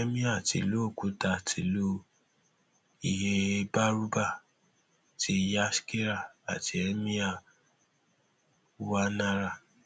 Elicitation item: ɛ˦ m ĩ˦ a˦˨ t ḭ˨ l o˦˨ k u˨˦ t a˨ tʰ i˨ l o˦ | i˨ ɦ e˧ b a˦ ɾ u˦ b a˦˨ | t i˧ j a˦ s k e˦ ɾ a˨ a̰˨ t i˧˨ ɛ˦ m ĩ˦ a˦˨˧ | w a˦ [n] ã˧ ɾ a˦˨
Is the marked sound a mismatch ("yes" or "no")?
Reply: no